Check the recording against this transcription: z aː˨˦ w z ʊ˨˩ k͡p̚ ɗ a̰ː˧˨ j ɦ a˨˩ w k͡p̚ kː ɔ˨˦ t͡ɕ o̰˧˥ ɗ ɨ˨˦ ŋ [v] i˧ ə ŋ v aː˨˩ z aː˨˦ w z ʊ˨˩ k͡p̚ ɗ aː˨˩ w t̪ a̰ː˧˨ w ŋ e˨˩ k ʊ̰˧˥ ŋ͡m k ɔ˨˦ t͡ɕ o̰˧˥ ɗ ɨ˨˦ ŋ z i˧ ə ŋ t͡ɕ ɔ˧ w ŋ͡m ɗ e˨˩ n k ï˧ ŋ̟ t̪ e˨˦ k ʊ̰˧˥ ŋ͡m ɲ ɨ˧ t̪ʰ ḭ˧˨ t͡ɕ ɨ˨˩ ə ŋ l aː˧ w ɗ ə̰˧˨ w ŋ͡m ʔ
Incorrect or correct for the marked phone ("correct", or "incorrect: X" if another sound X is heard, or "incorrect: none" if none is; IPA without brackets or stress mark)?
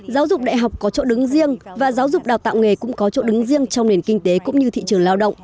incorrect: z